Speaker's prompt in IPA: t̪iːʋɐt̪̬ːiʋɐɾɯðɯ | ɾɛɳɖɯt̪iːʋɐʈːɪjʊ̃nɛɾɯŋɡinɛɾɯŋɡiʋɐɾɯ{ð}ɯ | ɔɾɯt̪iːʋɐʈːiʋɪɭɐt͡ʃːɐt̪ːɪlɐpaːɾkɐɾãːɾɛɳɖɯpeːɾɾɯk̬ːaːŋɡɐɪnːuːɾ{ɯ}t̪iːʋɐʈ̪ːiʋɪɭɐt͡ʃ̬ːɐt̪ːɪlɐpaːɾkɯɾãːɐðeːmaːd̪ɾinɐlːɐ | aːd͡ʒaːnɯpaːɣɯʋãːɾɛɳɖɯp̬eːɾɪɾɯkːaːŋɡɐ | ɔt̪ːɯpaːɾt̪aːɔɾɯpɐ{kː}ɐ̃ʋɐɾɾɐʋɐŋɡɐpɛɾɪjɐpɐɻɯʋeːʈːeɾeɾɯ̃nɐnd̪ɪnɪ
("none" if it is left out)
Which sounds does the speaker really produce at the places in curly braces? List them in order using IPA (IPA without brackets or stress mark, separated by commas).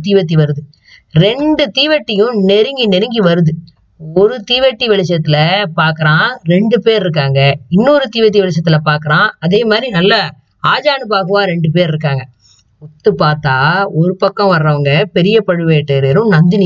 ð, ɯ, kː